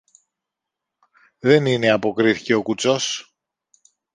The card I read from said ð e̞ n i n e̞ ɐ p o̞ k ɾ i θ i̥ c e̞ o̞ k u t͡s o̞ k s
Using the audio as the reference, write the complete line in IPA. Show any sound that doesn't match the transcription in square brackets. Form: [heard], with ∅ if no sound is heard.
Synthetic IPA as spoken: ð e̞ n i n e̞ ɐ p o̞ k ɾ i θ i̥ c e̞ o̞ k u t͡s o̞ [∅] s